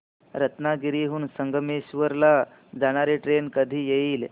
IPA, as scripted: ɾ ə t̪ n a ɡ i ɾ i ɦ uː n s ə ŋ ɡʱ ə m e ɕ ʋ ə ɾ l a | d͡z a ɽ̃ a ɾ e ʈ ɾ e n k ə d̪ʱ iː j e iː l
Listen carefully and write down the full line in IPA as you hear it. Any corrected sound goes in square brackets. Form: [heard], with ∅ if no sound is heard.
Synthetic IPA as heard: ɾ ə t̪ n a ɡ i ɾ i ɦ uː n s ə ŋ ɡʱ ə m e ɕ ʋ ə ɾ l a | d͡z a ɽ̃ a ɾ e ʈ ɾ e n k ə d̪ʱ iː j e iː l